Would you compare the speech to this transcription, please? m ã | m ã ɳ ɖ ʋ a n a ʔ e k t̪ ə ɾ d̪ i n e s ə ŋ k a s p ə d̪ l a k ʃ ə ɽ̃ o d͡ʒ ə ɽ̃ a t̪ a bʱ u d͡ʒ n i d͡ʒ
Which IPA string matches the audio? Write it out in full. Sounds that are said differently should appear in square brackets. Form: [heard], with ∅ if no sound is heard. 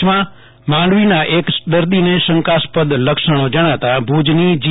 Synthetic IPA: m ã | m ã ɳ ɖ ʋ [i] n a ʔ e k [d̪] ə ɾ d̪ i n e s ə ŋ k a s p ə d̪ l [ə] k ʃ ə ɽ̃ o d͡ʒ ə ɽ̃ a t̪ a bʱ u d͡ʒ n i d͡ʒ